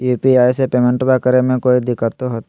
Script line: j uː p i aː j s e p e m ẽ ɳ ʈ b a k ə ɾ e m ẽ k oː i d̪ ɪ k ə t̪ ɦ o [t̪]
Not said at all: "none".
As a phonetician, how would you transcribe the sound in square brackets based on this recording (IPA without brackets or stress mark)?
t̪